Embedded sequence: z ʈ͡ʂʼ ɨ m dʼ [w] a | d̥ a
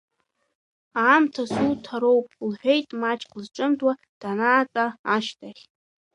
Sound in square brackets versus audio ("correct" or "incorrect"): correct